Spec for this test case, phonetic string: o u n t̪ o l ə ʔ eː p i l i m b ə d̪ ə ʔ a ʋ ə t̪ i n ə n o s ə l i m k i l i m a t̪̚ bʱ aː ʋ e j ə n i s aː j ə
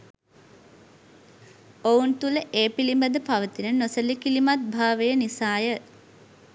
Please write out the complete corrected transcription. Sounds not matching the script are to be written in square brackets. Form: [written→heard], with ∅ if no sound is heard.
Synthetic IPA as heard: o u n t̪ [o→u] l ə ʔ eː p i l i m b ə d̪ ə [ʔ→p] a ʋ ə t̪ i n ə n o s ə l i [m→∅] k i l i m a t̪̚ bʱ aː ʋ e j ə n i s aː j ə